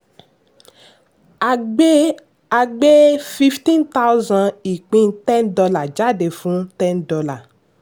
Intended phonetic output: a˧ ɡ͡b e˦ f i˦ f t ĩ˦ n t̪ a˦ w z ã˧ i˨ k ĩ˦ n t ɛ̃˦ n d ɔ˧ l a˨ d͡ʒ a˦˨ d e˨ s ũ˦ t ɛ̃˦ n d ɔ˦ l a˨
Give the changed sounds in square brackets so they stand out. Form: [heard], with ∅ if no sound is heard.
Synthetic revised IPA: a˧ ɡ͡b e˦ f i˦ f t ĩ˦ n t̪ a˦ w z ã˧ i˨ [k͡p] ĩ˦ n t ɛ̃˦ n d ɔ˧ l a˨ d͡ʒ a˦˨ d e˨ [f] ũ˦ t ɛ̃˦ n d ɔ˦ l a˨